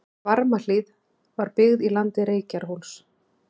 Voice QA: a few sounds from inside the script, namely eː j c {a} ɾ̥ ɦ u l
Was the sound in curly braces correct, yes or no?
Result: yes